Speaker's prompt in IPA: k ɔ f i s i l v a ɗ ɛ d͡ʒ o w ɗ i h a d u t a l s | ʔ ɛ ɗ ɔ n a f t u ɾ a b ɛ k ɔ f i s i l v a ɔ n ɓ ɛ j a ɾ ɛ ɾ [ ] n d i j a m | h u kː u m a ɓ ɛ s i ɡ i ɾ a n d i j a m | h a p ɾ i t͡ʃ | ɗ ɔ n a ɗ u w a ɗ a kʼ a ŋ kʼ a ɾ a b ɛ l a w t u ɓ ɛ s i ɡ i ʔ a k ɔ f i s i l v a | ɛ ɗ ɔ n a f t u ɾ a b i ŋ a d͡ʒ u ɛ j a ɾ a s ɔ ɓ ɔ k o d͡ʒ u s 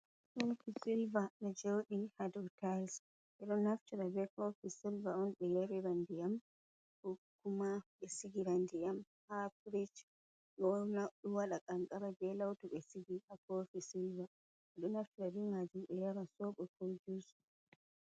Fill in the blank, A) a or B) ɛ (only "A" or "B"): A